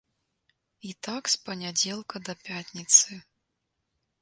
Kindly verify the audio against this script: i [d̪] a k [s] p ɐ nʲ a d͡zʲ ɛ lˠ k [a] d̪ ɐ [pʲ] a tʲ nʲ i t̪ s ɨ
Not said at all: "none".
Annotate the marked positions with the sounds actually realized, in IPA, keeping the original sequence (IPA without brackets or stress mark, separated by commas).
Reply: t̪, s, ɐ, pʲ